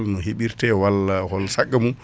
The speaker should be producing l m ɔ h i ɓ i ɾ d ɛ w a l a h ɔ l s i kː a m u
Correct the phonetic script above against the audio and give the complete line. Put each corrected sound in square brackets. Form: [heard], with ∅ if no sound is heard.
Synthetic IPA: l [n] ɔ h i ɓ i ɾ [t] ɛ w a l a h ɔ l s [a] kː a m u